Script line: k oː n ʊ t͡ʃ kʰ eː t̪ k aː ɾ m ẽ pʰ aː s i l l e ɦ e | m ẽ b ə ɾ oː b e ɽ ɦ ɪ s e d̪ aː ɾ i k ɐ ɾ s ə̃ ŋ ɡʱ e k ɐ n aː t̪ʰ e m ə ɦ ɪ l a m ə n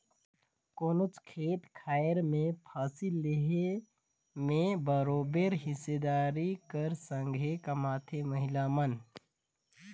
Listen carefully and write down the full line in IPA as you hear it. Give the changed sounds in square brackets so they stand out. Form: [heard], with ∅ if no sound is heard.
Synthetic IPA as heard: k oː n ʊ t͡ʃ kʰ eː t̪ [kʰ] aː ɾ m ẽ pʰ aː s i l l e ɦ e | m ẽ b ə ɾ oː b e [ɾ] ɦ ɪ s e d̪ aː ɾ i k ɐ ɾ s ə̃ ŋ ɡʱ e k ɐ [m] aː t̪ʰ e m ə ɦ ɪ l a m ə n